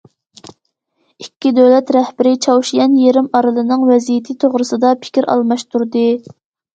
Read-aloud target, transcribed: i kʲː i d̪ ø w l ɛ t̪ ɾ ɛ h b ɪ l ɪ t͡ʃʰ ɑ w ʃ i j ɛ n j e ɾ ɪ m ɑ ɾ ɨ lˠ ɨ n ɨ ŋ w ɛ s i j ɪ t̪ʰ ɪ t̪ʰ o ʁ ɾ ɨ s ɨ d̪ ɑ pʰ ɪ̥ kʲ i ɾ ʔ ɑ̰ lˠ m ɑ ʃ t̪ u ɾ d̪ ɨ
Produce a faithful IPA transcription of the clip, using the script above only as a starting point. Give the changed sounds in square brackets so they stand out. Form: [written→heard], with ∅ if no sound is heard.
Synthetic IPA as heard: i kʲː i d̪ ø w l ɛ t̪ ɾ ɛ h b ɪ [l→ɾ] ɪ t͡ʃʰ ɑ w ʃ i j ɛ n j e ɾ ɪ m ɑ ɾ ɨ lˠ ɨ n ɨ ŋ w ɛ [s→z] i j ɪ t̪ʰ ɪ t̪ʰ o ʁ ɾ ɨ s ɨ d̪ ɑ pʰ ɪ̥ kʲ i ɾ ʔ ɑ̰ lˠ m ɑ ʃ t̪ u ɾ d̪ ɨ